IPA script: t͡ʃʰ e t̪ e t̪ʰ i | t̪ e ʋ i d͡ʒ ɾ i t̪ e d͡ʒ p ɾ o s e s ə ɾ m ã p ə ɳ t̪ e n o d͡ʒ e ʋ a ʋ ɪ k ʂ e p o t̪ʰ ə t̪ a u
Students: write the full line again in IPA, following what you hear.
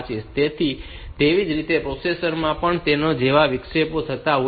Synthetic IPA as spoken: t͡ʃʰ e t̪ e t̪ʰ i | t̪ e ʋ i d͡ʒ ɾ i t̪ e p ɾ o s e s ə ɾ m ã p ə ɳ t̪ e n o d͡ʒ e ʋ a ʋ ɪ k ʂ e p o t̪ʰ ə t̪ a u